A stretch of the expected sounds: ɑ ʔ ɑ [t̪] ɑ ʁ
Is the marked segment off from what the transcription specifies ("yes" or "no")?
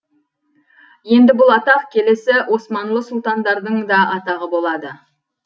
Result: no